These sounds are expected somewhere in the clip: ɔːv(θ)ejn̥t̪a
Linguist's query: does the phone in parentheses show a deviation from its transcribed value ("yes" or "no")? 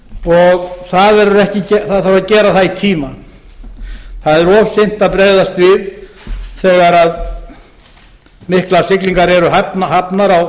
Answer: yes